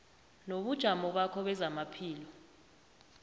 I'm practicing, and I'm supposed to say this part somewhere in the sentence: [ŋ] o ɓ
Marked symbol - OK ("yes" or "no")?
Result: no